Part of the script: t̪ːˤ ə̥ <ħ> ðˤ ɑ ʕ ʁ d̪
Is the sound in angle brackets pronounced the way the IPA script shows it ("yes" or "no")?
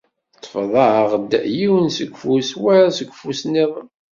no